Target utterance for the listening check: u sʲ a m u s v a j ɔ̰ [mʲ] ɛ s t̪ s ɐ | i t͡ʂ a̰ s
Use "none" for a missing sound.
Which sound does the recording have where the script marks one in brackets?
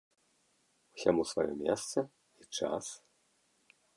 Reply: mʲ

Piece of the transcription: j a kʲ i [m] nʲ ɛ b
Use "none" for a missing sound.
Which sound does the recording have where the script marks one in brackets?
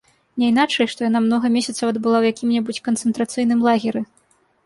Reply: m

